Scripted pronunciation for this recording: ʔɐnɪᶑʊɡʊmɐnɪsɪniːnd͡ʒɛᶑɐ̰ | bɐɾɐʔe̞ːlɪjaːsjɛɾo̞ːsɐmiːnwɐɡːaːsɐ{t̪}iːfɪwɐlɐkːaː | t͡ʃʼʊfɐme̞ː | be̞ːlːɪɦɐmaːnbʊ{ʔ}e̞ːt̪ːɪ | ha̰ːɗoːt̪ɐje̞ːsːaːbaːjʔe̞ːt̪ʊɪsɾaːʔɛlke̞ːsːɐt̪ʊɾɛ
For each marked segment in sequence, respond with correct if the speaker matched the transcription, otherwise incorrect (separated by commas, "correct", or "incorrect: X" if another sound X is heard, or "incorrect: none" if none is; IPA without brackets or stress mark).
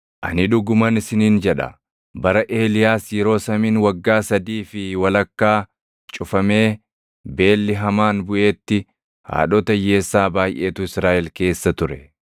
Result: incorrect: d̪, correct